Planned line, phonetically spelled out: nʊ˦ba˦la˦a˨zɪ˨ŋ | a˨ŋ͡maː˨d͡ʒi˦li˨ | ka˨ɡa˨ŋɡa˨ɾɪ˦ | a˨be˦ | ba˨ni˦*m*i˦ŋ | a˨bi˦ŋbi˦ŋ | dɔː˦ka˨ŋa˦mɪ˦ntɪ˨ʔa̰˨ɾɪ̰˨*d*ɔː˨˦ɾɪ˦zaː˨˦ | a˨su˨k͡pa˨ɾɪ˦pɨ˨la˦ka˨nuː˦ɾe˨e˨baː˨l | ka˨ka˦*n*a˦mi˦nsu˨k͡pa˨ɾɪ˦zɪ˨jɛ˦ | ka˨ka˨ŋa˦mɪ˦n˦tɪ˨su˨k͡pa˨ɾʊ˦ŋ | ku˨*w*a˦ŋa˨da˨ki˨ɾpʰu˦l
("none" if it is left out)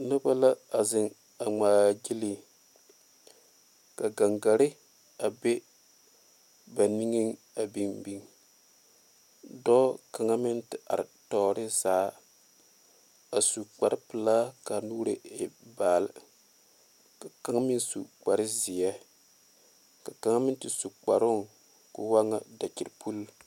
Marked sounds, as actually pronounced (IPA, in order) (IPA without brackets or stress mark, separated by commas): ŋ, t, ŋ, w